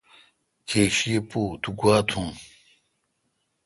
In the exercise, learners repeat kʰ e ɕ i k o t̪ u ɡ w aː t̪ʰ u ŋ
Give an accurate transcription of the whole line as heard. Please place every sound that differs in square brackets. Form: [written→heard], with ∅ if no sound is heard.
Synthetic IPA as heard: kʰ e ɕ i [k→p] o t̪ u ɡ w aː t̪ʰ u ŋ